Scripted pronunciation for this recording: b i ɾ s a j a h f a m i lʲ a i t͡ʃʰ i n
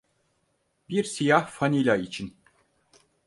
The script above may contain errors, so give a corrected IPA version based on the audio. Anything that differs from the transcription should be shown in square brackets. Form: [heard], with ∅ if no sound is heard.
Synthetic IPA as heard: b i ɾ s [i] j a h f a [n] i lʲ a i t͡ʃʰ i n